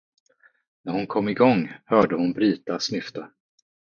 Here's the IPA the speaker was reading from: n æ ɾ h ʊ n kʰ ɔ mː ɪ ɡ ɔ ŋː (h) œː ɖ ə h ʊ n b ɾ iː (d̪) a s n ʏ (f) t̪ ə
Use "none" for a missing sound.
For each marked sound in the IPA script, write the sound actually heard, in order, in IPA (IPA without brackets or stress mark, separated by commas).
h, t̪, f